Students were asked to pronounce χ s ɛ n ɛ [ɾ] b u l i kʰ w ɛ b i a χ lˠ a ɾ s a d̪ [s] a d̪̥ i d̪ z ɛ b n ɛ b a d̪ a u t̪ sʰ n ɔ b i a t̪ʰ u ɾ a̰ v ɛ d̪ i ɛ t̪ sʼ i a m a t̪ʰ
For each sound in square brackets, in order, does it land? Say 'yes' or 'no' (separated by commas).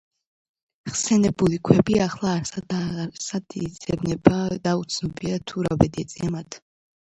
no, yes